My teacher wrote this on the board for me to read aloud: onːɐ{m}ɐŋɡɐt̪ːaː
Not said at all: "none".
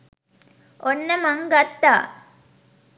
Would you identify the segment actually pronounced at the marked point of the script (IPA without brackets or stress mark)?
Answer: m